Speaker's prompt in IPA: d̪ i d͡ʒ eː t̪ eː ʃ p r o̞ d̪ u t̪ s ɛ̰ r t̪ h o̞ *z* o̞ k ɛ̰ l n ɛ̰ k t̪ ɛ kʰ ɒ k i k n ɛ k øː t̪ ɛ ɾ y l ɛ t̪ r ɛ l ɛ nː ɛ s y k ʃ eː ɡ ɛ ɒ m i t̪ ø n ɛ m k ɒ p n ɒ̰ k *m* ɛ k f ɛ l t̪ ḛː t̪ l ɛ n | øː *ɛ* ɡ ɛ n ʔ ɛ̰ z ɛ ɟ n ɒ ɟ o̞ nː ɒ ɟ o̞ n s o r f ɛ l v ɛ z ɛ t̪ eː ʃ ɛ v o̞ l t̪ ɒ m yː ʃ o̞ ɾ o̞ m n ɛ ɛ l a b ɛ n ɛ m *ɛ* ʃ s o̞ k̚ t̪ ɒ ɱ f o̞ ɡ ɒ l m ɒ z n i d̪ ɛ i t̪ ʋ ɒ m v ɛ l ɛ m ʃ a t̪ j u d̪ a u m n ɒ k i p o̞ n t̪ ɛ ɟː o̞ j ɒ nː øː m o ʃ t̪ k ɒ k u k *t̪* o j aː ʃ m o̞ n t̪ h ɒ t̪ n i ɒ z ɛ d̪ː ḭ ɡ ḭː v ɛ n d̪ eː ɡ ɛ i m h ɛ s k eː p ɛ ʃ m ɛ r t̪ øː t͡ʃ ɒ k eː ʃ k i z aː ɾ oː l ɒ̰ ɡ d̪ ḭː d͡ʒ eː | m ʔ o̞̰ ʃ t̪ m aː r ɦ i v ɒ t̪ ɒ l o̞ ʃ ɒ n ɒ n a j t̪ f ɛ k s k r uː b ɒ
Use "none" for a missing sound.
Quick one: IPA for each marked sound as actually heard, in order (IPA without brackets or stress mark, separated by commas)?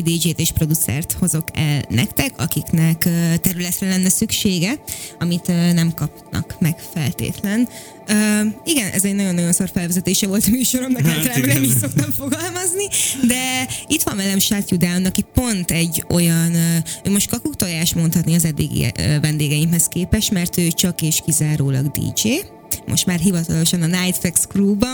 z, m, i, i, t̪